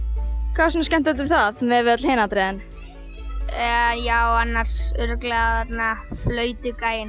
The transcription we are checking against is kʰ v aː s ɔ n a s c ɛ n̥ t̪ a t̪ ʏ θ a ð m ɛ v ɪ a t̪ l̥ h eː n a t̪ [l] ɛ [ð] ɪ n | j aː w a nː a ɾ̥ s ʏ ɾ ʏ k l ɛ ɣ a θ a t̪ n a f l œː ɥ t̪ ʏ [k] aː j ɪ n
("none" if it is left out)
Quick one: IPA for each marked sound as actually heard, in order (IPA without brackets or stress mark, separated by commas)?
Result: ɾ, ð, k